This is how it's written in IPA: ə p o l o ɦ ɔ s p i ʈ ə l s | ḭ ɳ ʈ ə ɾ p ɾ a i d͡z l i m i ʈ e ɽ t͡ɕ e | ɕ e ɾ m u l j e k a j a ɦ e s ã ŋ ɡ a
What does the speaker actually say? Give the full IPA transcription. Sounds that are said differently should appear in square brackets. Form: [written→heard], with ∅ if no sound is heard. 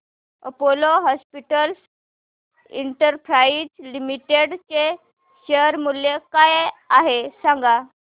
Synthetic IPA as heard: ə p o l o ɦ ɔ s p i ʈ ə l s | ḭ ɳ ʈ ə ɾ p ɾ a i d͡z l i m i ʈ e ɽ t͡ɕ e | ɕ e ɾ m u l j e k a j a ɦ e s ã ŋ ɡ a

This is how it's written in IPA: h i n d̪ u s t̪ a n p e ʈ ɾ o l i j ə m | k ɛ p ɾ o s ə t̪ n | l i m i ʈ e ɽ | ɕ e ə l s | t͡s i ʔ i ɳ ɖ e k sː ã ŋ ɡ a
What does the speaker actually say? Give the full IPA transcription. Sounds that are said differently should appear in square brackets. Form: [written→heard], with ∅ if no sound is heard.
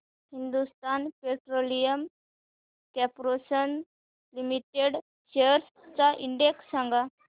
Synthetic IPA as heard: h i n d̪ u s t̪ a n p e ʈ ɾ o l i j ə m | k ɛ p ɾ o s ə [t̪→∅] n | l i m i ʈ e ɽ | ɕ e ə [l→ɾ] s | t͡s [i→a] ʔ i ɳ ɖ e k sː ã ŋ ɡ a

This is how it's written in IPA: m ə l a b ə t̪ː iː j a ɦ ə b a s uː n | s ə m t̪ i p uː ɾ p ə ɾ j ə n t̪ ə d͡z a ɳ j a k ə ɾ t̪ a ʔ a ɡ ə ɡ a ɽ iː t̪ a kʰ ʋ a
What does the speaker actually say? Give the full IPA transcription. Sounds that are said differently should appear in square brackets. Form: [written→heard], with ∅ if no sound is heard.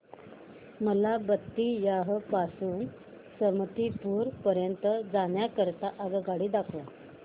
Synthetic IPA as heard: m ə l a b ə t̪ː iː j a ɦ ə [b→p] a s uː n | s ə m t̪ i p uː ɾ p ə ɾ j ə n t̪ ə d͡z a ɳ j a k ə ɾ t̪ a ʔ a ɡ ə ɡ a ɽ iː [t̪→d̪] a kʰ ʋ a

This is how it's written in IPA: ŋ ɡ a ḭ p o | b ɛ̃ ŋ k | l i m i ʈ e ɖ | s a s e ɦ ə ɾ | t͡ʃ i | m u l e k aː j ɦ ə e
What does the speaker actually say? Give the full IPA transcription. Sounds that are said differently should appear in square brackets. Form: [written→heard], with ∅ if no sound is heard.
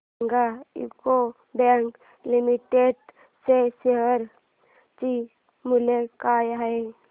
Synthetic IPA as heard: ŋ ɡ a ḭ [p→k] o | b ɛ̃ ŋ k | l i m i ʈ e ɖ | s [a→e] s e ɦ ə ɾ | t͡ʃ i | m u l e k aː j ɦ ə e

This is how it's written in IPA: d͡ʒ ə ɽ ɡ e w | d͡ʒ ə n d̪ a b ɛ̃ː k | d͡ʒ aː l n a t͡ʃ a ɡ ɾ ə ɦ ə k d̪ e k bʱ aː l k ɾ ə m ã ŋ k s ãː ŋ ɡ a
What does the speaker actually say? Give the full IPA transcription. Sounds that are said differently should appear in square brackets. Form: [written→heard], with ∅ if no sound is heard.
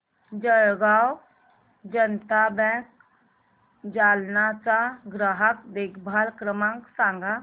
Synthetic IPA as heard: d͡ʒ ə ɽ ɡ [e→a] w | d͡ʒ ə n [d̪→t̪] a b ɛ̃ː k | d͡ʒ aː l n a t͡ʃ a ɡ ɾ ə ɦ ə k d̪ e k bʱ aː l k ɾ ə m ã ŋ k s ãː ŋ ɡ a

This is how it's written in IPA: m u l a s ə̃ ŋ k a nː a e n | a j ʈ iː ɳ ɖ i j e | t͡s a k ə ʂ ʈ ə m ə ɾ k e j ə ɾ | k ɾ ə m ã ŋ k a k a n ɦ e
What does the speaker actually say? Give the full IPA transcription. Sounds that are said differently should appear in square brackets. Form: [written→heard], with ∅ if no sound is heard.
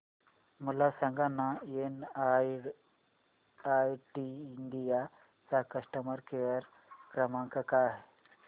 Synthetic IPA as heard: m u l a s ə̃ ŋ [k→ɡ] a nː a e n | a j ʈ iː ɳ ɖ i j [e→a] | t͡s a k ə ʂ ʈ ə m ə ɾ k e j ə ɾ | k ɾ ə m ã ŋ k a k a [n→∅] ɦ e

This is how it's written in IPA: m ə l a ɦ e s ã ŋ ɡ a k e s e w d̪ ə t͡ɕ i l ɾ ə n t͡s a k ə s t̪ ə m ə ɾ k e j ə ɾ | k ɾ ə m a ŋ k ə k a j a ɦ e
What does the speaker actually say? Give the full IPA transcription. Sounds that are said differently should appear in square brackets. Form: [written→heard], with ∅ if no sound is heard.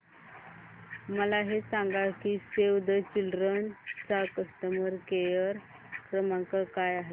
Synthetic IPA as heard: m ə l a ɦ e s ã ŋ ɡ a k [e→i] s e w d̪ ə t͡ɕ i l ɾ ə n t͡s a k ə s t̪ ə m ə ɾ k e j ə ɾ | k ɾ ə m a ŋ k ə k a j a ɦ e

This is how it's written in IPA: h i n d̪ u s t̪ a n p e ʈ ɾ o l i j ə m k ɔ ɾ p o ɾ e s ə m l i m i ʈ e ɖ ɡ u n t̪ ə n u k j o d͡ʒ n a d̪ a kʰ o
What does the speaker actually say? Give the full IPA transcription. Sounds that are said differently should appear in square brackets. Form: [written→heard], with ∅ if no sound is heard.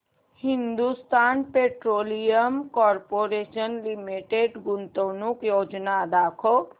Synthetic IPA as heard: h i n d̪ u s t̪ a n p e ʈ ɾ o l i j ə m k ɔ ɾ p o ɾ e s ə [m→n] l i m i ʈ e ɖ ɡ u n t̪ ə n u k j o d͡ʒ n a d̪ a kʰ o

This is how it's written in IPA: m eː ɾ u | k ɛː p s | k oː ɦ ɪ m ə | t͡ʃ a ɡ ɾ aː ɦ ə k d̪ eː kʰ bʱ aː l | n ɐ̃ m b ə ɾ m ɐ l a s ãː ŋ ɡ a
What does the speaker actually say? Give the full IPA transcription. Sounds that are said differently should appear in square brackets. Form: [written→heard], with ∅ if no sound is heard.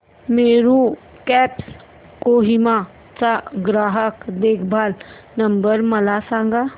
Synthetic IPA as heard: m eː ɾ u | k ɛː p s | k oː ɦ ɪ m [ə→a] | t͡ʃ a ɡ ɾ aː ɦ ə k d̪ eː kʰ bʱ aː l | n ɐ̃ m b ə ɾ m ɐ l a s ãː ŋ ɡ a

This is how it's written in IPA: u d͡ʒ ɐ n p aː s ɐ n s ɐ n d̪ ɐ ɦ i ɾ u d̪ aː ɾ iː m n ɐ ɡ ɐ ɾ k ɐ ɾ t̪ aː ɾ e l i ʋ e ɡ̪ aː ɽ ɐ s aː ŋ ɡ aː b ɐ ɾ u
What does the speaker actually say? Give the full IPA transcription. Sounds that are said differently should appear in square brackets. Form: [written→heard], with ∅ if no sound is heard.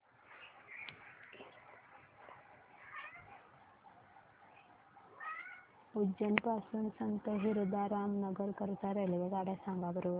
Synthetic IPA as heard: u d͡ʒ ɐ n p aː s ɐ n s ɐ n [d̪→t̪] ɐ ɦ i ɾ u d̪ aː ɾ [iː→aː] m n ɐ ɡ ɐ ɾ k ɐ ɾ t̪ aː ɾ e l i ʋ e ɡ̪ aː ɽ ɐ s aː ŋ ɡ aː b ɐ ɾ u

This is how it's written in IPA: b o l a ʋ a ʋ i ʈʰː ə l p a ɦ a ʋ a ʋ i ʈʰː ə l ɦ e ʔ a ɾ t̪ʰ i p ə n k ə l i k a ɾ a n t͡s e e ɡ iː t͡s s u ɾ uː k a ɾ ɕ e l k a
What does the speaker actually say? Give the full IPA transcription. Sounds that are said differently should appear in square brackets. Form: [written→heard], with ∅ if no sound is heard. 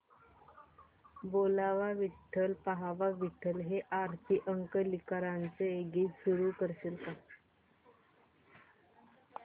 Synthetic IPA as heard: b o l a ʋ a ʋ i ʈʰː ə l p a ɦ a ʋ a ʋ i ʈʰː ə l ɦ e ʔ a ɾ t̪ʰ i [p→ʔ] ə [n→ŋ] k ə l i k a ɾ a n t͡s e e ɡ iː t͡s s u ɾ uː k [a→ə] ɾ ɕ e l k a

